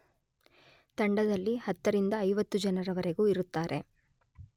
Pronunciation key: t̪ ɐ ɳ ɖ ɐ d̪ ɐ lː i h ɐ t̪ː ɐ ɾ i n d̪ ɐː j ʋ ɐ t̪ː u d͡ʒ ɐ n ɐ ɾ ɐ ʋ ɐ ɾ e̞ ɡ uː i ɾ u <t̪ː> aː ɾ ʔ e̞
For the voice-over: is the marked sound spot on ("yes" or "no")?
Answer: yes